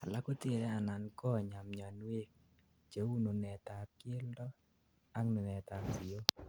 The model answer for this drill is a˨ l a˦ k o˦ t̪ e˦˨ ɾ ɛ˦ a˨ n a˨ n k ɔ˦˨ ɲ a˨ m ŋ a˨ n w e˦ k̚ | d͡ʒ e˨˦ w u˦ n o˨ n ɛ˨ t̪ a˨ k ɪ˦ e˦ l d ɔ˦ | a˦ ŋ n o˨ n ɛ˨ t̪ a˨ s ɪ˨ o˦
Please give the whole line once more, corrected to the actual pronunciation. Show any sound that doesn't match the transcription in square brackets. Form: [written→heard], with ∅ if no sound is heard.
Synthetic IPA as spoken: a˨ l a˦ k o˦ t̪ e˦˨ ɾ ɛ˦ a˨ n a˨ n k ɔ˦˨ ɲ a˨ m [ŋ→ɲ] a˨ n w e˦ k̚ | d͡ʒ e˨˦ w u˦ n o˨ n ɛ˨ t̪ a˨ k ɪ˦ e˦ l d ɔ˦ | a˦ ŋ n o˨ n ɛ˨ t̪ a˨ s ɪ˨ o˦